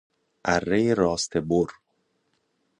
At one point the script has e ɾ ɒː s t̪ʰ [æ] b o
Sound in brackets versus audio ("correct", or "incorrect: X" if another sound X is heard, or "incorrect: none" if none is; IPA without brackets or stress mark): incorrect: e